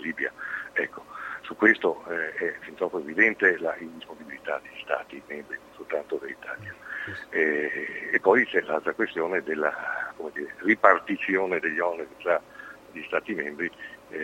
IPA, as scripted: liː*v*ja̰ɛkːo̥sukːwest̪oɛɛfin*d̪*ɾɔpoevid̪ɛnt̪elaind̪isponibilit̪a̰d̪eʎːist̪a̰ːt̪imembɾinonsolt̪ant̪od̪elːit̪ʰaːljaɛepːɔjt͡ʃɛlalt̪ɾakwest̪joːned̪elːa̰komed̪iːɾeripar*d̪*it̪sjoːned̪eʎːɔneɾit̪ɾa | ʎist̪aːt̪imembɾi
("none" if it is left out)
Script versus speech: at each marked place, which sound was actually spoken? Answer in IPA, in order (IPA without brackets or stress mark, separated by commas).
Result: b, t̪, t̪